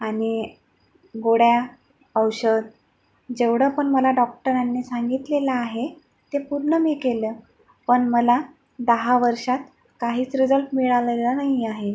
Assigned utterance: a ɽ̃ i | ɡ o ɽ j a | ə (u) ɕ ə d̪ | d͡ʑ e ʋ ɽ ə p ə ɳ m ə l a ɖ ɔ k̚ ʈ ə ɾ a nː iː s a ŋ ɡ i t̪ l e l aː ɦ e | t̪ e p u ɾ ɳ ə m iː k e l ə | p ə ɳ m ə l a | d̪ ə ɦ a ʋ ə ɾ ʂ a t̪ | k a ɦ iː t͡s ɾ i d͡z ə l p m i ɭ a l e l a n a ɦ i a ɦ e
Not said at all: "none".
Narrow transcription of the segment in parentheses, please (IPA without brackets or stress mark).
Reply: w